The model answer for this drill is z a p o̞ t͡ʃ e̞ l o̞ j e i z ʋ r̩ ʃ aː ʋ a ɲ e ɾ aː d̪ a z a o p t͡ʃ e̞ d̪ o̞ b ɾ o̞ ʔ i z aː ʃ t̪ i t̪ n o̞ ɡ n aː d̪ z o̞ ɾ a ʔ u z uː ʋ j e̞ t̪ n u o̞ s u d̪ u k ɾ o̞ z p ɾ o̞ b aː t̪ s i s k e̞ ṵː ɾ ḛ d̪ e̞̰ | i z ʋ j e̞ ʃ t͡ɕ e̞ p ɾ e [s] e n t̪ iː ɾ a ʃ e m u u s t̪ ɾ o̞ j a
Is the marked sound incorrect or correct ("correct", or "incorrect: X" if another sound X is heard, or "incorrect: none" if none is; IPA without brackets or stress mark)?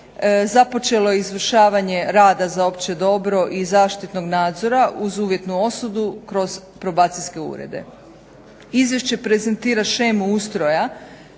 incorrect: z